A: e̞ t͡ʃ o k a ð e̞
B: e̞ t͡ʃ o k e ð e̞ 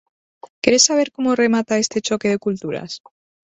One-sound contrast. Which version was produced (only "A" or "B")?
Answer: B